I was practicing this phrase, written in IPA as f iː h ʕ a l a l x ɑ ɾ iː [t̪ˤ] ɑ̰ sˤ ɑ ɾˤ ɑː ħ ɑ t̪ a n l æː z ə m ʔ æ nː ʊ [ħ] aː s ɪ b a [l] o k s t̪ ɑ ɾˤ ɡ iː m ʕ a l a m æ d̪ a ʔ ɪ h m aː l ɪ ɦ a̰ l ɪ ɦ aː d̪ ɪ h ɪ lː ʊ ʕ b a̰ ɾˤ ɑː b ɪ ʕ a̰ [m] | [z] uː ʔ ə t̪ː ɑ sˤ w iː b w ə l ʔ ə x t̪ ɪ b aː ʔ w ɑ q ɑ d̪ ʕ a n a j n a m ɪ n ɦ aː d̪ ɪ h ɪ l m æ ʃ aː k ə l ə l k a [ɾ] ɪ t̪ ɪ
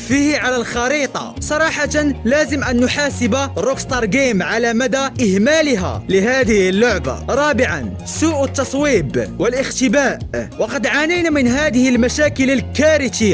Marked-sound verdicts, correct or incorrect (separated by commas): correct, correct, incorrect, incorrect, incorrect, correct